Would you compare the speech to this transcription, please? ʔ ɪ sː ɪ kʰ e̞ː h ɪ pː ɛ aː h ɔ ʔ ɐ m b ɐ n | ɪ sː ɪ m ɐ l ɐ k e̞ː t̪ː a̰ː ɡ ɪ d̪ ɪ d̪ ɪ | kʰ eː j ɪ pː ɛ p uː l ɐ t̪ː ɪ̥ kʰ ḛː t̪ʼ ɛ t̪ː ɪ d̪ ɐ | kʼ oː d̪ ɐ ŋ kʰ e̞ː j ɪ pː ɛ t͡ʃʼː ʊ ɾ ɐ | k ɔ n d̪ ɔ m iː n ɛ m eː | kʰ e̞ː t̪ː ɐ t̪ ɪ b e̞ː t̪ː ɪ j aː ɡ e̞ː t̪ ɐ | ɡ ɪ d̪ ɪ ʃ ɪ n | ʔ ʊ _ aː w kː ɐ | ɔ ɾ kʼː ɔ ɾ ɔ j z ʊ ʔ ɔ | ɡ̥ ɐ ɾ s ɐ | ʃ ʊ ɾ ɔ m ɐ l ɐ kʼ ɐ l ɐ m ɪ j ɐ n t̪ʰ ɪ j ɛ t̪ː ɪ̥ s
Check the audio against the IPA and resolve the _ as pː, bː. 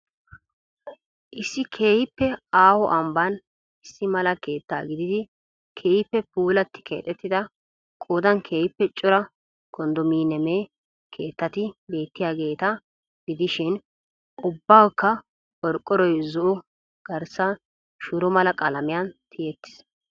bː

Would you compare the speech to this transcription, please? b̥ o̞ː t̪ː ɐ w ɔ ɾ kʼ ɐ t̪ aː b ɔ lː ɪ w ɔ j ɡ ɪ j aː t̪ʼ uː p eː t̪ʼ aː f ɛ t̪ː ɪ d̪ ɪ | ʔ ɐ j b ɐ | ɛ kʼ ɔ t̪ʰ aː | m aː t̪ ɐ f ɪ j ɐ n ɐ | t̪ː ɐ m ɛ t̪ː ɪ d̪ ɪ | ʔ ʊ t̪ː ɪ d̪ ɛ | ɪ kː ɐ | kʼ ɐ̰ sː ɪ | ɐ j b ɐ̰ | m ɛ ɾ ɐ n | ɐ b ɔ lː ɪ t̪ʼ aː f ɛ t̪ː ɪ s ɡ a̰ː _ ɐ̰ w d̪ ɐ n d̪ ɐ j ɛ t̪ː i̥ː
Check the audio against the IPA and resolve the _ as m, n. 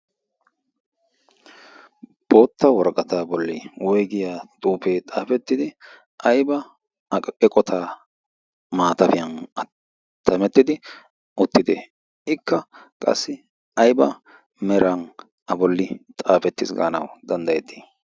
n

